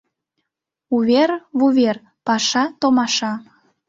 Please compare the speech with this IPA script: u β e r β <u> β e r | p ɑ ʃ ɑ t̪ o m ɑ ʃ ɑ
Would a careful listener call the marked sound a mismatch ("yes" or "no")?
no